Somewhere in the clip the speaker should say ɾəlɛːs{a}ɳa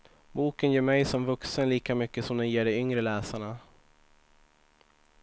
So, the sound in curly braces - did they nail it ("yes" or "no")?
yes